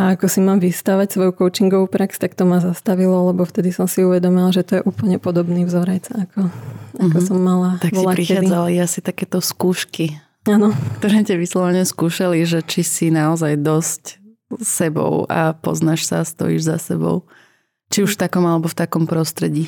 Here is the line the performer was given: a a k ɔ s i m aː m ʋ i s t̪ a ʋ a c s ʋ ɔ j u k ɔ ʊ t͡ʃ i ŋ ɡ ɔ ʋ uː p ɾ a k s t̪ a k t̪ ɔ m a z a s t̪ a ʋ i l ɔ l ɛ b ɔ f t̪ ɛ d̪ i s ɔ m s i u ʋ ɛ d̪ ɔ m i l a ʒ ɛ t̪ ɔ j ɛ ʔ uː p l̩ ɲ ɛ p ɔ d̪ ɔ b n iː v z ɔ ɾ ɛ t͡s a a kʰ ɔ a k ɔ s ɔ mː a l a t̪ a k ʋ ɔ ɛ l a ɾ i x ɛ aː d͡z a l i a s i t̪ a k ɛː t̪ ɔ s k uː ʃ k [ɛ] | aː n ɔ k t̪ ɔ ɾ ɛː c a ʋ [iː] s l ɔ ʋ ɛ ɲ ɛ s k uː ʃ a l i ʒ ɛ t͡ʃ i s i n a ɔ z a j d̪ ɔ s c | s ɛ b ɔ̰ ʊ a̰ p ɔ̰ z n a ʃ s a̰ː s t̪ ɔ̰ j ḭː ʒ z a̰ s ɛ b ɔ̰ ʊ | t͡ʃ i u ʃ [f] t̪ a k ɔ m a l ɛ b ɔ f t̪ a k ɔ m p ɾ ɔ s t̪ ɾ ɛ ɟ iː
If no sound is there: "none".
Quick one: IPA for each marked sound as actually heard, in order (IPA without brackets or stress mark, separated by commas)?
i, i, f